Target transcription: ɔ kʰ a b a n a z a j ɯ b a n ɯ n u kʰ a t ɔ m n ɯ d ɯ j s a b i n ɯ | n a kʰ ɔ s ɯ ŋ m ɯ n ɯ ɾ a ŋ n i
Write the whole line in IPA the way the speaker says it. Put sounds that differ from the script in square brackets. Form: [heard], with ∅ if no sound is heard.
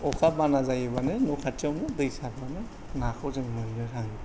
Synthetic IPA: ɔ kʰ a b a n a z a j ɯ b a n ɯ n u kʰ a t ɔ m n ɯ d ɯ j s a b [a] n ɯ | n a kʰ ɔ [z] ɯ ŋ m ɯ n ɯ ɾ a ŋ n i